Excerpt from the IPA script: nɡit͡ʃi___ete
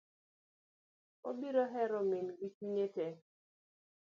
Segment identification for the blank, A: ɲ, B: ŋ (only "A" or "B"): A